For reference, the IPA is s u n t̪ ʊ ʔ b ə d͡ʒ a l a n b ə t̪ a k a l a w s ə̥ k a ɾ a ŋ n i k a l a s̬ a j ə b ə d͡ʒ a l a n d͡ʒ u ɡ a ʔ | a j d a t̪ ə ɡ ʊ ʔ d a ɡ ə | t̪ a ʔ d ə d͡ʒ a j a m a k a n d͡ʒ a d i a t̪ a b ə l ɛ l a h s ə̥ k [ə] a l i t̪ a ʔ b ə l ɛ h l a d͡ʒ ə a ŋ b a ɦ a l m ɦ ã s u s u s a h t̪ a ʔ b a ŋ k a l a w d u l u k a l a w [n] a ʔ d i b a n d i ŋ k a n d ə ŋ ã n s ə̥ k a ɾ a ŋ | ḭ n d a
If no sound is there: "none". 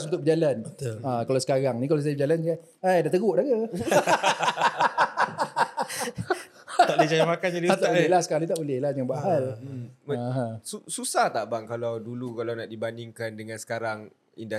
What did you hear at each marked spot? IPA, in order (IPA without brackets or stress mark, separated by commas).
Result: a, n